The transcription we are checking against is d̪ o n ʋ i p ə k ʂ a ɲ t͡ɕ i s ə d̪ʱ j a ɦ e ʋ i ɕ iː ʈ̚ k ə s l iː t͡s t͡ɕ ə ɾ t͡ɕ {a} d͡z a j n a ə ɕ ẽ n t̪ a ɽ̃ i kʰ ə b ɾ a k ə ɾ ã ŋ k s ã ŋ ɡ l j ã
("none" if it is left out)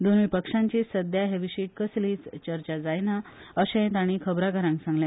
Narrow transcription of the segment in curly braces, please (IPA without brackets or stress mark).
a